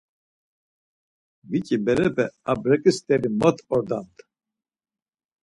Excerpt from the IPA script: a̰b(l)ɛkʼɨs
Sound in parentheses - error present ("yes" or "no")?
yes